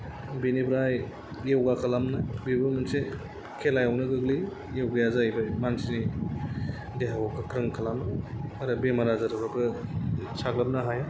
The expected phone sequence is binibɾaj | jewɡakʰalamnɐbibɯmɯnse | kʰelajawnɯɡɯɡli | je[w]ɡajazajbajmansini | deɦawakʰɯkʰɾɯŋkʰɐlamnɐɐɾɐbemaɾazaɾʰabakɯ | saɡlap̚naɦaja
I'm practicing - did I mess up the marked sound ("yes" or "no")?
no